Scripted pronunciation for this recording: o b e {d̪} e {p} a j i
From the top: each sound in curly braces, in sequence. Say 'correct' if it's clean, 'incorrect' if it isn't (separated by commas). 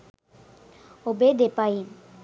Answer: correct, correct